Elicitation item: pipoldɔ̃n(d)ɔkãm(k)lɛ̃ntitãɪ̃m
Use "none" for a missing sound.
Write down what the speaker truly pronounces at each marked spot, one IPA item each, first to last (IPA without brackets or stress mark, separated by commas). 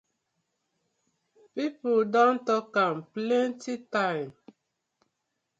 t, p